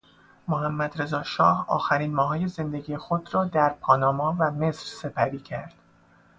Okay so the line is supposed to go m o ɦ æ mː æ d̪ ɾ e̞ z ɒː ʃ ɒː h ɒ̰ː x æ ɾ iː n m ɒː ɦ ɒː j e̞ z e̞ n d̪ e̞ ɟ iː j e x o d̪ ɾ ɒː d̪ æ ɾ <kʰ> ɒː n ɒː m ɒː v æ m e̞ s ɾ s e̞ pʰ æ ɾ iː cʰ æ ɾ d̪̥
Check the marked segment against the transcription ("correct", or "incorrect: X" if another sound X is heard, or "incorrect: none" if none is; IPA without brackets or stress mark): incorrect: pʰ